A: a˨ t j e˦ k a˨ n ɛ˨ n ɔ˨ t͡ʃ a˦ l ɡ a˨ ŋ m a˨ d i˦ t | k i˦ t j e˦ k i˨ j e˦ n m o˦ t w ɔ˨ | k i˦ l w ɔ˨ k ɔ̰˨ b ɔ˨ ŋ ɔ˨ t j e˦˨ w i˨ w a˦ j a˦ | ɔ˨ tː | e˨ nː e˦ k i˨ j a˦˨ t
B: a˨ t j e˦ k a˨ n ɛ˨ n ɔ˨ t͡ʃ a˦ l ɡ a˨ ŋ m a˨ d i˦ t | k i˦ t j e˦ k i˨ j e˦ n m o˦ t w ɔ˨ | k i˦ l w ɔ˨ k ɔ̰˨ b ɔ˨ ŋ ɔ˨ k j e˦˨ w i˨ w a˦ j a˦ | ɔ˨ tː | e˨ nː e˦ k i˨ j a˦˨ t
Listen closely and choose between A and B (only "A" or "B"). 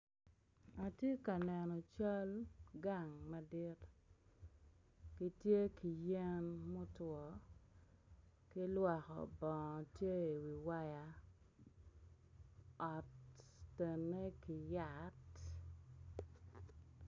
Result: A